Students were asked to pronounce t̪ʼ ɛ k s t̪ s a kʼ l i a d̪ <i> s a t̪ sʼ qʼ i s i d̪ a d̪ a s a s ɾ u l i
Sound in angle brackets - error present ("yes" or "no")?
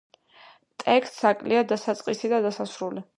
yes